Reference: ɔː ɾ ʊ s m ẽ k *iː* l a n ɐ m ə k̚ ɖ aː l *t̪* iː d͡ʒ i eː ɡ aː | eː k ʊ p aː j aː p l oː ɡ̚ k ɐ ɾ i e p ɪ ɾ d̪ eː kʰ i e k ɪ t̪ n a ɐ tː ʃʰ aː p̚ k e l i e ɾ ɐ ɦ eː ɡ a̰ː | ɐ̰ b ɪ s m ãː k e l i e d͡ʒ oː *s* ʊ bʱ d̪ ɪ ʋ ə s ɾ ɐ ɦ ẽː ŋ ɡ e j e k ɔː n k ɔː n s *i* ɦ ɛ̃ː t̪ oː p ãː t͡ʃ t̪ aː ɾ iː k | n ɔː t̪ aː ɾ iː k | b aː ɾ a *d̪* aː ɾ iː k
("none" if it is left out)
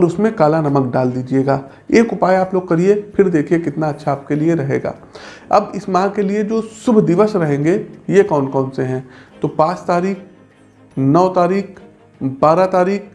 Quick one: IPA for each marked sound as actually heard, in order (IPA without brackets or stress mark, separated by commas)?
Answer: aː, d̪, s, e, t̪